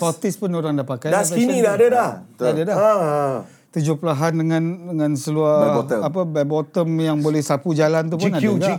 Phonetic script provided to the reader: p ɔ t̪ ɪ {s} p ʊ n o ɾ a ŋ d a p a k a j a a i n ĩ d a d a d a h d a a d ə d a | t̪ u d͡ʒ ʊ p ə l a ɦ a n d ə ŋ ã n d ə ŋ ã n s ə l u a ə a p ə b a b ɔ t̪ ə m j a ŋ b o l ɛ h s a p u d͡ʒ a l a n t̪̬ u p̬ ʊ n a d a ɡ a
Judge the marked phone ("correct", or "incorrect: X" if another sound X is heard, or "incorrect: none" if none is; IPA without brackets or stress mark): correct